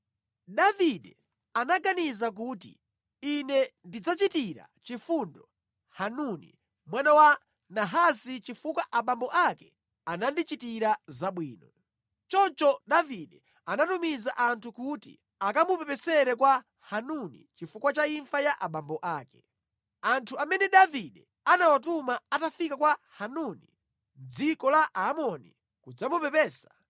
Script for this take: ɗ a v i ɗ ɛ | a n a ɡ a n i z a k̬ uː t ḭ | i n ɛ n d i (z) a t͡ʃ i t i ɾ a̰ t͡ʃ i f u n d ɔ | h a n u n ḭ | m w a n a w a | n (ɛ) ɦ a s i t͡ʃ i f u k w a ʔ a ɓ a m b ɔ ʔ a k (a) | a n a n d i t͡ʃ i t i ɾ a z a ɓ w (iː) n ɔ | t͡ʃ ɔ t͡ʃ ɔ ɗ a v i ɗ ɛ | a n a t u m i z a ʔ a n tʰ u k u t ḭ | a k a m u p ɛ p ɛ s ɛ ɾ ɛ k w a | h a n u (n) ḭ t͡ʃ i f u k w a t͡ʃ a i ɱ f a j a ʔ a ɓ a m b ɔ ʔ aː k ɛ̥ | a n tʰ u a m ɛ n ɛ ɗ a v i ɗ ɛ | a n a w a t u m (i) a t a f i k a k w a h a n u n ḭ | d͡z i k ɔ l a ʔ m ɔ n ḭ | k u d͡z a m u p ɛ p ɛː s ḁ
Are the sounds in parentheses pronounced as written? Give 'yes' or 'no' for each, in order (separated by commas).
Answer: no, no, no, yes, yes, no